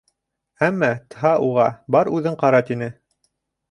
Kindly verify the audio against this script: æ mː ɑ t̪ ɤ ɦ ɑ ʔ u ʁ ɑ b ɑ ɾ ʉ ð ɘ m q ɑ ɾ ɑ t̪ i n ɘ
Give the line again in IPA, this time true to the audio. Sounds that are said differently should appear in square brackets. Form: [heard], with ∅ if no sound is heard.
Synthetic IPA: æ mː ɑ t̪ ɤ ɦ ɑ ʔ u ʁ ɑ b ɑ ɾ ʉ ð ɘ [ɴ] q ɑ ɾ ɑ t̪ i n ɘ